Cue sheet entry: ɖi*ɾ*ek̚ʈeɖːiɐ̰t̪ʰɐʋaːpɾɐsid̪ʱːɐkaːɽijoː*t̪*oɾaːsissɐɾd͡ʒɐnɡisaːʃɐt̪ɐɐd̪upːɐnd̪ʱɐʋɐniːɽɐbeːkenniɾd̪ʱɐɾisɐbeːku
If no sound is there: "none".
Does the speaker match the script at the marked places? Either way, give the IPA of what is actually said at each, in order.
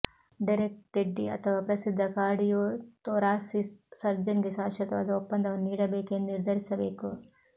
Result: ɾ, t̪

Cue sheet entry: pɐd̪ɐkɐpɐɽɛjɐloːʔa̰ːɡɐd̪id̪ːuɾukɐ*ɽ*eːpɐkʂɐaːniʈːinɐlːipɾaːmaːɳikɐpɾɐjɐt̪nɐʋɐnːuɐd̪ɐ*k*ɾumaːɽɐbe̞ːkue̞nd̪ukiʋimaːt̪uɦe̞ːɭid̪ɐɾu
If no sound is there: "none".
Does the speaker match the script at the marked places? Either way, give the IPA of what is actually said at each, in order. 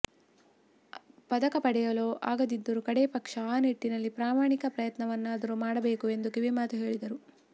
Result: ɽ, none

